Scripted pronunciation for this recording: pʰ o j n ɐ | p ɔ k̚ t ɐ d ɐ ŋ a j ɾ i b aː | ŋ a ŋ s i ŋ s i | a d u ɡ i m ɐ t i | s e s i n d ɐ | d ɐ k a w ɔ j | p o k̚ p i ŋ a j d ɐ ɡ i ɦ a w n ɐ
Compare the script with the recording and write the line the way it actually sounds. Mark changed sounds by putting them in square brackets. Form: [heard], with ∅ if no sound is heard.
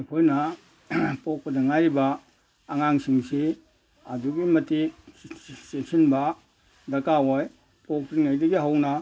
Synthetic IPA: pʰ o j n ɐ | p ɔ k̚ [p] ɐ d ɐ ŋ a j ɾ i b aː | ŋ a ŋ s i ŋ s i | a d u ɡ i m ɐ t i | s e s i n [b] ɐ | d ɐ k a w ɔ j | p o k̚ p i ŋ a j d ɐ ɡ i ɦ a w n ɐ

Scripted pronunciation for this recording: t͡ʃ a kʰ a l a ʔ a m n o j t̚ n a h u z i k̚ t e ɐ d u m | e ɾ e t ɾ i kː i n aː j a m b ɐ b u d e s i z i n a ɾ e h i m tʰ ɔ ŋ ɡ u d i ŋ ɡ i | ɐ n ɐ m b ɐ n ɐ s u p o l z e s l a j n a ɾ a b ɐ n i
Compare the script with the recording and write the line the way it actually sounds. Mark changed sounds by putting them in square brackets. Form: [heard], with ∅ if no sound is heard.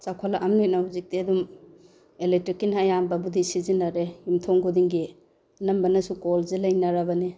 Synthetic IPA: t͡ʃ a kʰ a l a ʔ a m n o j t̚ n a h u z i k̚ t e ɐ d u m | e [l] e t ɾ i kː i n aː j a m b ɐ b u d [i] s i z i n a ɾ e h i m tʰ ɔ ŋ ɡ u d i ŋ ɡ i | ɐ n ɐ m b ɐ n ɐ s u [k] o l z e [∅] l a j n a ɾ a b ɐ n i

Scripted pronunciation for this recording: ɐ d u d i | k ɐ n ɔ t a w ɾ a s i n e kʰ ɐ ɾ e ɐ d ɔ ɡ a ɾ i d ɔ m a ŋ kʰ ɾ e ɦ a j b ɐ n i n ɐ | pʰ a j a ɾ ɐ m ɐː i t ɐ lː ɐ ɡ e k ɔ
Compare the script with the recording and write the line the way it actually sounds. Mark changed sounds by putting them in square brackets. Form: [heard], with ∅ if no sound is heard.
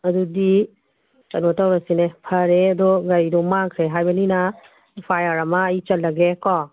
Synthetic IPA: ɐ d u d i | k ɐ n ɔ t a w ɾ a s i n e [pʰ] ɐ ɾ e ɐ d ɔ ɡ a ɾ i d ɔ m a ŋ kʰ ɾ e ɦ a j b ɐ n i n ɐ | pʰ a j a ɾ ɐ m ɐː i [t͡ʃ] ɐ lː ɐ ɡ e k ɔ

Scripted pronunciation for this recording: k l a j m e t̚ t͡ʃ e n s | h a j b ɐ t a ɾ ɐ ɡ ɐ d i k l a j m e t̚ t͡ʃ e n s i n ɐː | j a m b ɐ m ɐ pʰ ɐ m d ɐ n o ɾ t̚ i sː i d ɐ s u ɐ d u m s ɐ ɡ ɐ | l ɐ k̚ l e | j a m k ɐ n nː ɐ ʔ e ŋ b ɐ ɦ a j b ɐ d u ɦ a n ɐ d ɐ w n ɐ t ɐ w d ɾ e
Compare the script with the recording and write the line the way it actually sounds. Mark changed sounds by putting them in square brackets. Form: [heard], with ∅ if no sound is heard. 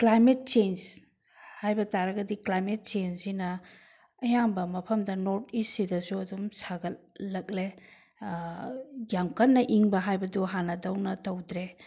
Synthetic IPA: k l a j m e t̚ t͡ʃ e n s | h a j b ɐ t a ɾ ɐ ɡ ɐ d i k l a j m e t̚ t͡ʃ e n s i n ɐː | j a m b ɐ m ɐ pʰ ɐ m d ɐ n o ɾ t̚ i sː i d ɐ s u ɐ d u m s [a] ɡ ɐ | l ɐ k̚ l e | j a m k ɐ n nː ɐ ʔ [i] ŋ b ɐ ɦ a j b ɐ d u ɦ a n ɐ d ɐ w n ɐ t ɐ w d ɾ e

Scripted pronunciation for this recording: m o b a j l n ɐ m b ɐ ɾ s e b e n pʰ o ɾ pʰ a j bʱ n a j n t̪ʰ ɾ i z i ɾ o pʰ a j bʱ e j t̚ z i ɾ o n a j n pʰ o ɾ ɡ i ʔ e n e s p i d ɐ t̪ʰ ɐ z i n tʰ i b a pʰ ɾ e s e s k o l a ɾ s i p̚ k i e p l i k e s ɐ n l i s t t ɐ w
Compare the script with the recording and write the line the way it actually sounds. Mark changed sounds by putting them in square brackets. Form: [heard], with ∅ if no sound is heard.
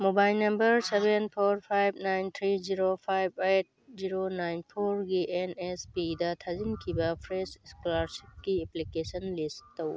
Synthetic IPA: m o b a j l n ɐ m b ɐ ɾ s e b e n pʰ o ɾ pʰ a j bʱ n a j n t̪ʰ ɾ i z i ɾ o pʰ a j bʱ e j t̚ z i ɾ o n a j n pʰ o ɾ ɡ i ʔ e n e s p i d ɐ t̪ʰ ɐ z i n [kʰ] i b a pʰ ɾ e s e s k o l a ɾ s i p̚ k i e p l i k e s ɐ n l i s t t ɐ w

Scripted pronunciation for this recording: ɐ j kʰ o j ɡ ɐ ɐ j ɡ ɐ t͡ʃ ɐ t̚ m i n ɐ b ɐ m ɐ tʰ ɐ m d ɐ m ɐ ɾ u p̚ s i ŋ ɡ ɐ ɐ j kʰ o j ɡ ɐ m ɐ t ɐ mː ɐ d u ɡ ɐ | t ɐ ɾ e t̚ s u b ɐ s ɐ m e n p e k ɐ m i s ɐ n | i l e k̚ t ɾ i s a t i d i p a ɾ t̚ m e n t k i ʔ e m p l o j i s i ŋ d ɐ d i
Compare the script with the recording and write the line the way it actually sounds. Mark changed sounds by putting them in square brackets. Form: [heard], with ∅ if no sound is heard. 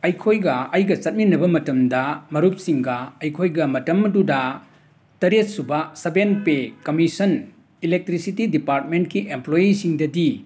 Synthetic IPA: ɐ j kʰ o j ɡ ɐ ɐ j ɡ ɐ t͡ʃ ɐ t̚ m i n ɐ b ɐ m ɐ [t] ɐ m d ɐ m ɐ ɾ u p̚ s i ŋ ɡ ɐ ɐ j kʰ o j ɡ ɐ m ɐ t ɐ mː ɐ d u [d] ɐ | t ɐ ɾ e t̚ s u b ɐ s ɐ [b] e n p e k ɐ m i s ɐ n | i l e k̚ t ɾ i s [i] t i d i p a ɾ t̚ m e n t k i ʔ e m p l o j i s i ŋ d ɐ d i

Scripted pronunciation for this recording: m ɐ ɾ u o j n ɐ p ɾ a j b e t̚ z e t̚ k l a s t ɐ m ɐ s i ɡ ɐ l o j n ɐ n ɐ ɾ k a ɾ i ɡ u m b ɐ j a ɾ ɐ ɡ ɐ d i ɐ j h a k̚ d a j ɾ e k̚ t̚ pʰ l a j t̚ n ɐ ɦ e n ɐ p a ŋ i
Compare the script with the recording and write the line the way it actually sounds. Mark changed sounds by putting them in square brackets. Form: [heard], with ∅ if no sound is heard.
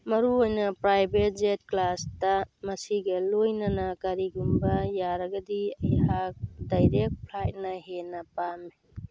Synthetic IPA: m ɐ ɾ u o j n ɐ p ɾ a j b e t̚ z e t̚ k l a s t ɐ m ɐ s i ɡ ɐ l o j n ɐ n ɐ [∅] k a ɾ i ɡ u m b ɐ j a ɾ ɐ ɡ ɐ d i ɐ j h a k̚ d a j ɾ e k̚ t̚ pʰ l a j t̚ n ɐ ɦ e n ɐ p a [m] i

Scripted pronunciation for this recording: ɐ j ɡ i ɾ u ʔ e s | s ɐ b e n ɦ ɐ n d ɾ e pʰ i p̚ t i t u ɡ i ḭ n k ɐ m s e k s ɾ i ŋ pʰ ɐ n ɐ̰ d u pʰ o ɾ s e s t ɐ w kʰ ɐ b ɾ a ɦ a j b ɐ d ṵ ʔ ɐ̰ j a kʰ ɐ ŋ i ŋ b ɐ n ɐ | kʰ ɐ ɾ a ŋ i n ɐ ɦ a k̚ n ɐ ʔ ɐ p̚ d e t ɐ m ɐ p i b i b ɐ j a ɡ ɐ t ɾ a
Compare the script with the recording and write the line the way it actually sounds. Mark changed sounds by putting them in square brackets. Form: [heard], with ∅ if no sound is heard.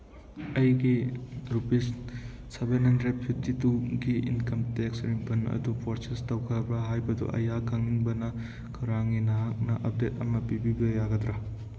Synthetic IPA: ɐ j ɡ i ɾ u [p] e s | s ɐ b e n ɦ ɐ n d ɾ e pʰ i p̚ t i t u ɡ i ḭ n k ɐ m [t] e k s ɾ i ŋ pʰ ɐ n ɐ̰ d u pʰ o ɾ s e s t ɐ w kʰ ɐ b ɾ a ɦ a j b ɐ d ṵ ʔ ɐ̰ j a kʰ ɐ ŋ i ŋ b ɐ n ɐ | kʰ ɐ ɾ a ŋ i n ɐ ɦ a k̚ n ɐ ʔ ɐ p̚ d e t ɐ m ɐ p i b i b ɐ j a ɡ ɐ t ɾ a

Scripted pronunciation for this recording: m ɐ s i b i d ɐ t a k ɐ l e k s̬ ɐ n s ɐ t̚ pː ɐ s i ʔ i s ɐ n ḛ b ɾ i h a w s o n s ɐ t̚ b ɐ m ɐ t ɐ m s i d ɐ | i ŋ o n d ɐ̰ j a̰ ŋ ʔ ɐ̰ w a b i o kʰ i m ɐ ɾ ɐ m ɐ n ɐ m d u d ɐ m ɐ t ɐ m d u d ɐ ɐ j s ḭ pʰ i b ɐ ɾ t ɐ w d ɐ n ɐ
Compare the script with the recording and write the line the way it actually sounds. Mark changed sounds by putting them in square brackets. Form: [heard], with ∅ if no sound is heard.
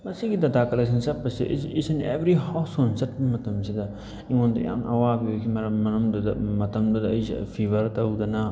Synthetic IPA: m ɐ s i [ɡ] i d ɐ t a k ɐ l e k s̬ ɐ n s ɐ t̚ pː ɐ s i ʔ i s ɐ n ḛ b ɾ i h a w s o n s ɐ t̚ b ɐ m ɐ t ɐ m s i d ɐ | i ŋ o n d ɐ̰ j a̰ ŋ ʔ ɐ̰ w a b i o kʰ i m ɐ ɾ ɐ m ɐ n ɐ m d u d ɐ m ɐ t ɐ m d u d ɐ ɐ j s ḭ pʰ i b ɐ ɾ t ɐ w d ɐ n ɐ

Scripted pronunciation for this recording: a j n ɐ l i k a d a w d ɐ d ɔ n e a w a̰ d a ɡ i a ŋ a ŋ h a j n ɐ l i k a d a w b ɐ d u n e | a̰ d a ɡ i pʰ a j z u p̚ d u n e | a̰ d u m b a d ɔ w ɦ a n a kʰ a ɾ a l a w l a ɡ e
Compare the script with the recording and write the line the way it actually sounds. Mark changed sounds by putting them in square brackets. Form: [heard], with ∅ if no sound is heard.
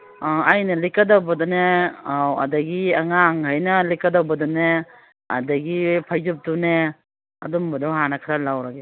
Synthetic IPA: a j n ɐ l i k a d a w [b] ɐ d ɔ n e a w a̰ d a ɡ i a ŋ a ŋ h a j n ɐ l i k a d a w b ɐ d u n e | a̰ d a ɡ i pʰ a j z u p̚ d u n e | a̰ d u m b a d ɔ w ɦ a n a kʰ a ɾ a l a w [ɾ] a ɡ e

